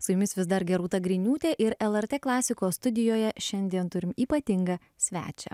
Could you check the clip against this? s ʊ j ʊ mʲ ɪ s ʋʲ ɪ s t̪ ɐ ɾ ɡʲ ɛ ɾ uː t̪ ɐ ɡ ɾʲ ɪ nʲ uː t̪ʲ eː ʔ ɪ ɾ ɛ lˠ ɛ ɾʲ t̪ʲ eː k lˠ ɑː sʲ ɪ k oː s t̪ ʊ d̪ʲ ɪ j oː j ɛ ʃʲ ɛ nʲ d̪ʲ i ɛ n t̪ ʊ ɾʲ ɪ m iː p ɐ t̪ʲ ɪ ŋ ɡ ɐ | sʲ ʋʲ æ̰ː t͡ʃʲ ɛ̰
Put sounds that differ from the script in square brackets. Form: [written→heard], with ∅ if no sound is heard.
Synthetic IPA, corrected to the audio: s ʊ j ʊ mʲ ɪ s ʋʲ ɪ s [t̪→d̪] ɐ ɾ ɡʲ ɛ ɾ uː t̪ ɐ ɡ ɾʲ ɪ nʲ uː t̪ʲ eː ʔ ɪ ɾ ɛ lˠ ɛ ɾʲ t̪ʲ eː k lˠ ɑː sʲ ɪ k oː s t̪ ʊ d̪ʲ ɪ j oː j ɛ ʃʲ ɛ nʲ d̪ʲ i ɛ n t̪ ʊ ɾʲ ɪ m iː p ɐ t̪ʲ ɪ ŋ ɡ ɐ | sʲ ʋʲ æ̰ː t͡ʃʲ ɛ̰